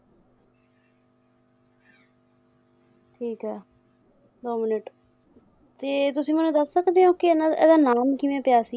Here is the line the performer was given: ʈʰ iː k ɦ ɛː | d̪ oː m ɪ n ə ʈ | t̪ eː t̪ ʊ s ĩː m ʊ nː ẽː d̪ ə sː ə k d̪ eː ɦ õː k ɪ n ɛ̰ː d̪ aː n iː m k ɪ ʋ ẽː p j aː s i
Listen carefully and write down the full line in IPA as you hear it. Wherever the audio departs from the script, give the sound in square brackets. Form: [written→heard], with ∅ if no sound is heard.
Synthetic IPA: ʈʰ iː k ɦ ɛː | d̪ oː m ɪ n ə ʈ | t̪ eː t̪ ʊ s ĩː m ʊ [nː→n] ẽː d̪ ə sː ə k d̪ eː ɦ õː k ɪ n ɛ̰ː d̪ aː n [iː→aː] m k ɪ ʋ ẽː p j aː s i